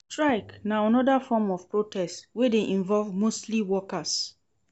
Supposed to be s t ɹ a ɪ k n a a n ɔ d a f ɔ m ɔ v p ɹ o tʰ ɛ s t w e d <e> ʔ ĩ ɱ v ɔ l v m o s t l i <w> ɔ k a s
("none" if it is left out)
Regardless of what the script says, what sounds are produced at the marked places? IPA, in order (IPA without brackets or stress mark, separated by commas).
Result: e, w